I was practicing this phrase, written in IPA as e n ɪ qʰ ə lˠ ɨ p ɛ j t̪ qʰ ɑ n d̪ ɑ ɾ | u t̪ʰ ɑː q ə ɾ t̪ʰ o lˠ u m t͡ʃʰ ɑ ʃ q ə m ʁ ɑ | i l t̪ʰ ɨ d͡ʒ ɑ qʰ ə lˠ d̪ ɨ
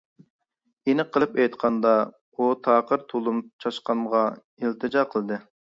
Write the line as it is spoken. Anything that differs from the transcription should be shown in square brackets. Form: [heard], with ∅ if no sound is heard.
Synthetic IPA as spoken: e n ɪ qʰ ə lˠ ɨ p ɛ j t̪ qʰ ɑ n d̪ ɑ [∅] | u t̪ʰ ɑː q ə ɾ t̪ʰ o lˠ u m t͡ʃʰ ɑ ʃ q [ɑ] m ʁ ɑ | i l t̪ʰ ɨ d͡ʒ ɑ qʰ ə lˠ d̪ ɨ